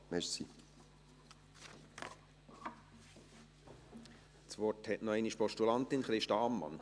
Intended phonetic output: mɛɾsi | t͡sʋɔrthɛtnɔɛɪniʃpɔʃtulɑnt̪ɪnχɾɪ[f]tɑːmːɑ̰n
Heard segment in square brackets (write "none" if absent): ʃ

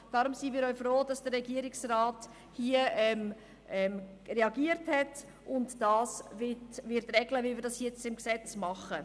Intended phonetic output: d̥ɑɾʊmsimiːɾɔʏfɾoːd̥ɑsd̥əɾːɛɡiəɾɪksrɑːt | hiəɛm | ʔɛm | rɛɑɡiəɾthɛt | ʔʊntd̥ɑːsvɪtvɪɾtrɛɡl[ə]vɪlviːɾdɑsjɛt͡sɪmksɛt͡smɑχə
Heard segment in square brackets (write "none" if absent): ə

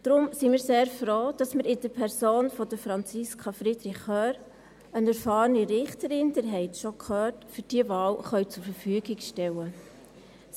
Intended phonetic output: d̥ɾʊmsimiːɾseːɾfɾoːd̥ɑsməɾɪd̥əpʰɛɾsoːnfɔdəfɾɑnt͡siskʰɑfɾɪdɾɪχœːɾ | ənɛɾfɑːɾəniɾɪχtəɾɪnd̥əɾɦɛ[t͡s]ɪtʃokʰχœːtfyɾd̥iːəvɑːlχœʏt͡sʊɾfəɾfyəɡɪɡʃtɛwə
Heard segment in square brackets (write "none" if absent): none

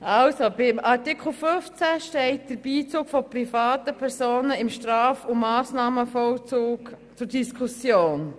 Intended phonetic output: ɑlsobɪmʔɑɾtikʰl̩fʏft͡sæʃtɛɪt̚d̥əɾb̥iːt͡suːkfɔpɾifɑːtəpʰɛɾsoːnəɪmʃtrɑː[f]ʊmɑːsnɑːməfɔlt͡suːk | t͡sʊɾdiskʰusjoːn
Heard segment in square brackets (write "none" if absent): f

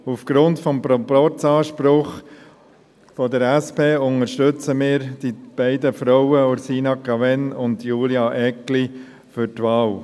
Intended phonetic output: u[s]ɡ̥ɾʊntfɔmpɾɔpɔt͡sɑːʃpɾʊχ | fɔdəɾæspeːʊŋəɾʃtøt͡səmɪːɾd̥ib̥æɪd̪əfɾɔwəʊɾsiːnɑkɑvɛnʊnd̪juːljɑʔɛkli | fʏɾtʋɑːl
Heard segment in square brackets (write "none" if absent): f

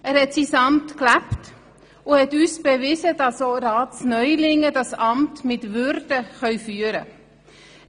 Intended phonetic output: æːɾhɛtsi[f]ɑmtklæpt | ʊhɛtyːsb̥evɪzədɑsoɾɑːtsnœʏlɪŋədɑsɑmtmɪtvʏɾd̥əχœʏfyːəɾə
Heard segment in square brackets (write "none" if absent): s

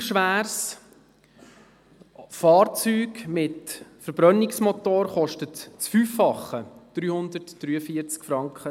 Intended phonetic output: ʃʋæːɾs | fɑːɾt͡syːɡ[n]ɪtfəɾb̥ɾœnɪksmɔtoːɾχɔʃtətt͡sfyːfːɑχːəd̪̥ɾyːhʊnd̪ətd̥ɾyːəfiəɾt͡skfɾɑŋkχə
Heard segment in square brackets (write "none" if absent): m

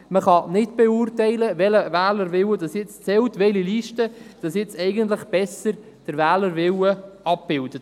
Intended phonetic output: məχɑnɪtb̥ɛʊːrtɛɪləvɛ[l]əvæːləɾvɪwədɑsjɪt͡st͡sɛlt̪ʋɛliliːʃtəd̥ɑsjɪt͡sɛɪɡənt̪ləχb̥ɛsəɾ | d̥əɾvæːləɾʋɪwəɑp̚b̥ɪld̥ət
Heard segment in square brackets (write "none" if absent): l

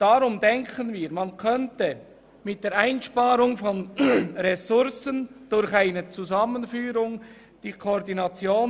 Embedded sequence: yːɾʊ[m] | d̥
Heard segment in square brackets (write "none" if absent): ŋ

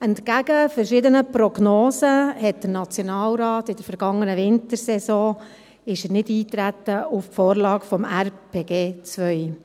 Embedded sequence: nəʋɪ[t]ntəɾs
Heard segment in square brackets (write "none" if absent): none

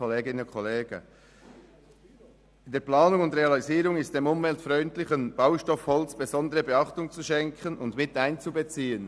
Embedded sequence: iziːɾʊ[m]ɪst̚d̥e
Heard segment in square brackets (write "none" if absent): ŋ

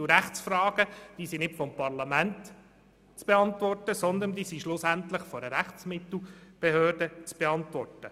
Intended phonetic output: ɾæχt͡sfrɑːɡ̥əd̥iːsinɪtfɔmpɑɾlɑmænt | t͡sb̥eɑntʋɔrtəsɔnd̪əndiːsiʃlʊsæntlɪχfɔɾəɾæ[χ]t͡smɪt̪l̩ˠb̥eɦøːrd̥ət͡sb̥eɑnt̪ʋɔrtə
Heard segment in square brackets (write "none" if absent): χ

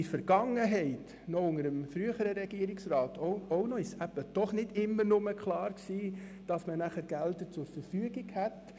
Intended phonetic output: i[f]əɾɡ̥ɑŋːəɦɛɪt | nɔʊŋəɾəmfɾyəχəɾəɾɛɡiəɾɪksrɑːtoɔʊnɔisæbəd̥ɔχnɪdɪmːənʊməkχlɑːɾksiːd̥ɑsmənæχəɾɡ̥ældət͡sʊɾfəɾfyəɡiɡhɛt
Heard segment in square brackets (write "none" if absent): f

